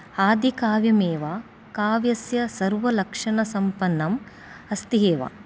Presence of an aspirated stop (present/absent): absent